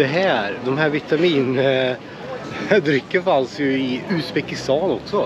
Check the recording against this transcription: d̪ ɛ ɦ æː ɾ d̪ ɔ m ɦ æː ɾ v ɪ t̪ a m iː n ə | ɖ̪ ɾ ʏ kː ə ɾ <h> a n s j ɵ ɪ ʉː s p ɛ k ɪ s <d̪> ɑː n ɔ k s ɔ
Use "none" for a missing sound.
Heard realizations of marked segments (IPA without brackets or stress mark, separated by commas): f, t̪